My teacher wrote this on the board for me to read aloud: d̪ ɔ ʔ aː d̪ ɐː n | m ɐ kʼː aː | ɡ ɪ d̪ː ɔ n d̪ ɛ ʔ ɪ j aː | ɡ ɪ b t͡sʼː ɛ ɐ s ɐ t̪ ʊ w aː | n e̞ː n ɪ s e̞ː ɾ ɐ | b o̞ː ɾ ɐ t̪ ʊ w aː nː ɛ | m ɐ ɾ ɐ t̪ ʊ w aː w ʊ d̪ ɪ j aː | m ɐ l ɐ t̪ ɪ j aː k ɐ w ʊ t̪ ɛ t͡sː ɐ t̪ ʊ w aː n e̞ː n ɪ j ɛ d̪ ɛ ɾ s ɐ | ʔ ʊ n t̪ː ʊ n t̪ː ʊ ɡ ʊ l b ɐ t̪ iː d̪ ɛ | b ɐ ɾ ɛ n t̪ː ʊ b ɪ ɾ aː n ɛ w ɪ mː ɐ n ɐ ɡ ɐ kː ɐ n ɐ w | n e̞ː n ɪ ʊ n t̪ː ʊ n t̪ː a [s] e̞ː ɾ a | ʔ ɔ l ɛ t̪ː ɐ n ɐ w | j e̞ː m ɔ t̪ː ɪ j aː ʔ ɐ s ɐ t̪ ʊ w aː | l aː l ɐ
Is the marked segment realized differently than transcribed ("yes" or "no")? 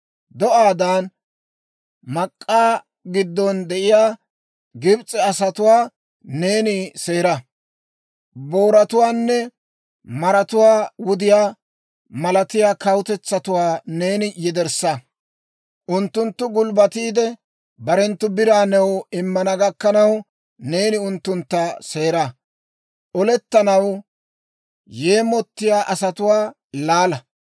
no